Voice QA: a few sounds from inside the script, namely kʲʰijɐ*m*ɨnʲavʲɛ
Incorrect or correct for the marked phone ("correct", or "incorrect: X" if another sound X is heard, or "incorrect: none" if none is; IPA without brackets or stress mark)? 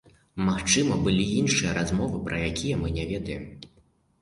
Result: correct